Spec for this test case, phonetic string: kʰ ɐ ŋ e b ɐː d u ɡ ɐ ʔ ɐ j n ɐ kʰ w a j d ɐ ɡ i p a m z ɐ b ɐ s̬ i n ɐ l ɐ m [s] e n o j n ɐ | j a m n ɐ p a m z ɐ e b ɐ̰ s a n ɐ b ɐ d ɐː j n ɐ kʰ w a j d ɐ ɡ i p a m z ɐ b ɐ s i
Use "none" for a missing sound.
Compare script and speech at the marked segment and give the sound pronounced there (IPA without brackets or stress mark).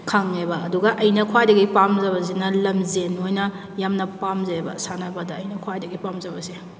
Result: z